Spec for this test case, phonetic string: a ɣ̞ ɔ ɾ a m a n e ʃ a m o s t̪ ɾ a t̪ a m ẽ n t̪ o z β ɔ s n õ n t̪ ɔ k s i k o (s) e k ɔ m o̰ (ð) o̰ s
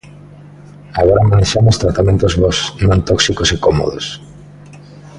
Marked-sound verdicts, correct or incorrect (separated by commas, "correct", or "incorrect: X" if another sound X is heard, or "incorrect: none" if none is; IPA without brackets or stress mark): correct, correct